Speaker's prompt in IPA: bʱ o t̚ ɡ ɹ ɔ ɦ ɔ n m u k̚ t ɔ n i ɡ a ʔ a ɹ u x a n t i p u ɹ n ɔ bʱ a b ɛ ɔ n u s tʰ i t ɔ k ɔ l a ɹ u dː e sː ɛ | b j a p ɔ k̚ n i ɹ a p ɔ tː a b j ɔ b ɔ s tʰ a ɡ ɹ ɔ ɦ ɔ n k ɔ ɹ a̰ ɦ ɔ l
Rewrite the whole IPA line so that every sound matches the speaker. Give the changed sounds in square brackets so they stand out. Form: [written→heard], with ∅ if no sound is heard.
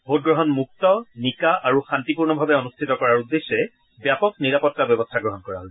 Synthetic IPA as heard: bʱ o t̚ ɡ ɹ ɔ ɦ ɔ n m u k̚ t ɔ n i [ɡ→k] a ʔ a ɹ u x a n t i p u ɹ n ɔ bʱ a b ɛ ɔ n u s tʰ i t ɔ k ɔ [l→ɹ] a ɹ u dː e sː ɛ | b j a p ɔ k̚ n i ɹ a p ɔ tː a b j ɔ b ɔ s tʰ a ɡ ɹ ɔ ɦ ɔ n k ɔ ɹ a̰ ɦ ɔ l